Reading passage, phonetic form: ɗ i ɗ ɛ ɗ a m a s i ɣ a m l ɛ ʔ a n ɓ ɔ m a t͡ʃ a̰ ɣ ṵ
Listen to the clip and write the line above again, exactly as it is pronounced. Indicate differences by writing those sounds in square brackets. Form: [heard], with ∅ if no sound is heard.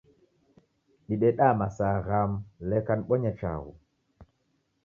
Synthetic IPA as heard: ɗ i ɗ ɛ ɗ a m a s [a] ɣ a m l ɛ [k] a n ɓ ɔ [ɲ] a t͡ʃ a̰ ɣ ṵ